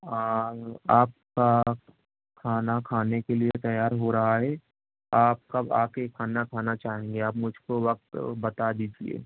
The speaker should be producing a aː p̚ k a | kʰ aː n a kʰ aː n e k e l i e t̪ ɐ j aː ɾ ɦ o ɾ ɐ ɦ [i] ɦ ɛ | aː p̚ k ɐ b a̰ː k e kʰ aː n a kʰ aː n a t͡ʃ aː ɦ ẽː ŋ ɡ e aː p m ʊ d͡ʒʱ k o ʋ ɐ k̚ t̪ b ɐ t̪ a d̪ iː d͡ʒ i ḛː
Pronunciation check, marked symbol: incorrect: a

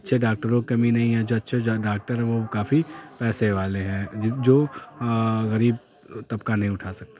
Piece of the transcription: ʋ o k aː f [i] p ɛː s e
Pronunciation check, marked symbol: correct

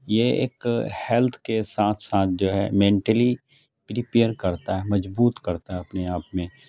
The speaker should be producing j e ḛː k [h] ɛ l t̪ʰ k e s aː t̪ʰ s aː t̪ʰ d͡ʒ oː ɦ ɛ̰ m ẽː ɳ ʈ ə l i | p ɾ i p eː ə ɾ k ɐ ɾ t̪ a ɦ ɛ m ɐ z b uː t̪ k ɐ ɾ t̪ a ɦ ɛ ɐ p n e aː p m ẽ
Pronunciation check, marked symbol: correct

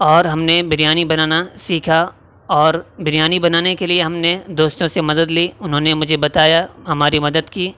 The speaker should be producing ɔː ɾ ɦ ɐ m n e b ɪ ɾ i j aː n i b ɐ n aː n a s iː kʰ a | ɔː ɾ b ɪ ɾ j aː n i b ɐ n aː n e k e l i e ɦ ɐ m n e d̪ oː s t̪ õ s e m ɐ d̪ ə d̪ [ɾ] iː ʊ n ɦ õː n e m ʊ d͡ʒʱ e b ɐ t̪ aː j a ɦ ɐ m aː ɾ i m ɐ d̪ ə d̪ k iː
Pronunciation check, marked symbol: incorrect: l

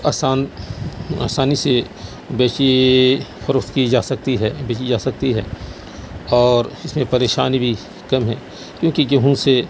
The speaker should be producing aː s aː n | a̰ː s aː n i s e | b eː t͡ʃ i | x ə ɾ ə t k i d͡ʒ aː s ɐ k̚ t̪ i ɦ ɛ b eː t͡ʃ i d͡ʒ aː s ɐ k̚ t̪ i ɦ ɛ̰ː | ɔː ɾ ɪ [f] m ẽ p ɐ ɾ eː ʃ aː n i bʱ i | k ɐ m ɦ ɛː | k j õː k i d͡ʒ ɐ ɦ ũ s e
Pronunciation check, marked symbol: incorrect: s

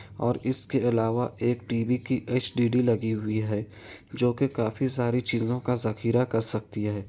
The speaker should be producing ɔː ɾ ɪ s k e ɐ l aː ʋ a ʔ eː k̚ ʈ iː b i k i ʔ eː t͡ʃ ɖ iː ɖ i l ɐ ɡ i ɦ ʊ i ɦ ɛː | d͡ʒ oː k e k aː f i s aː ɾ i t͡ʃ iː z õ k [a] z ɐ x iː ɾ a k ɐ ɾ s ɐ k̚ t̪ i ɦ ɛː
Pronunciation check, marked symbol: correct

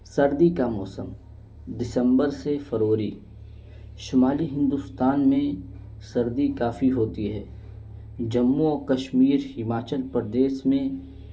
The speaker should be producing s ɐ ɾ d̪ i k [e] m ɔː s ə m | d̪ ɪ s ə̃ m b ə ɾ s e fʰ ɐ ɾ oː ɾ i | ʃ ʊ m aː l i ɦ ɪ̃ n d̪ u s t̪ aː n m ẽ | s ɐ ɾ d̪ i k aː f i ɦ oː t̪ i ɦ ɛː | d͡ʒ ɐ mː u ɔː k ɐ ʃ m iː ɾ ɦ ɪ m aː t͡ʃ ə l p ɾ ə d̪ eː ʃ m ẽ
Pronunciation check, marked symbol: incorrect: a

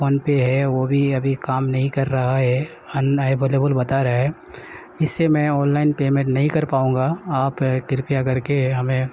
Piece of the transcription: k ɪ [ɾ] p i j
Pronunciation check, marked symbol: correct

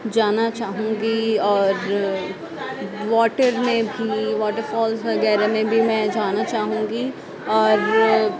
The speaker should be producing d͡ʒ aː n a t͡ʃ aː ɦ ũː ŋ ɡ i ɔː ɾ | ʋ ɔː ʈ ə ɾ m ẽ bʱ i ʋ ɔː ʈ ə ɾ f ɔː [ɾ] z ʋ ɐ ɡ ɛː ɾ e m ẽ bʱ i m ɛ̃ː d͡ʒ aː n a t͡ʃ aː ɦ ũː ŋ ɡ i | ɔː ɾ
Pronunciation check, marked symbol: incorrect: l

